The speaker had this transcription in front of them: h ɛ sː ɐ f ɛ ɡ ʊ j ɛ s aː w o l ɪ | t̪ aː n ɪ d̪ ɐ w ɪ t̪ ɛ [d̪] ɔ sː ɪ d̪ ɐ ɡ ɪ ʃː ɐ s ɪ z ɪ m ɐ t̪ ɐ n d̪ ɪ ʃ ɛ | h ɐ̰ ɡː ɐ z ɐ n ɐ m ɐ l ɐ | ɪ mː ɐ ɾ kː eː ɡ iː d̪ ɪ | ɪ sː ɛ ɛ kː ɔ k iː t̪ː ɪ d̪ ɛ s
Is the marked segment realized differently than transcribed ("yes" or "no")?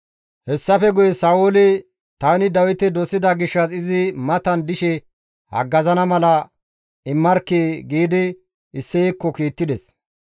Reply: no